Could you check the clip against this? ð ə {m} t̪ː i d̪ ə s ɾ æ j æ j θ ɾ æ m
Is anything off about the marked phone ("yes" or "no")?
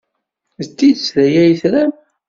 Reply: yes